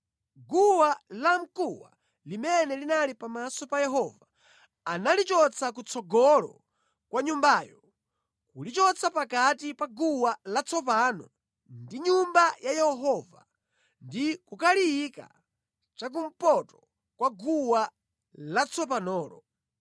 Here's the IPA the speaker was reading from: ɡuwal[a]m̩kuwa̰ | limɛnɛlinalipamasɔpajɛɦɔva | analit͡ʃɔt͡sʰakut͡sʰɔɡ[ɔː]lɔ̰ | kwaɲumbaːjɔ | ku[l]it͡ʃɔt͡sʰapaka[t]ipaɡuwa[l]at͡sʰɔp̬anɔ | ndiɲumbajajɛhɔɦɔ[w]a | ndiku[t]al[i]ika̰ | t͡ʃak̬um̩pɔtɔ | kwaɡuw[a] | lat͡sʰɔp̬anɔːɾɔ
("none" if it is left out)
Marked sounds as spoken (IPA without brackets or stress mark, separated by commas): a, ɔ, l, t, l, v, k, i, a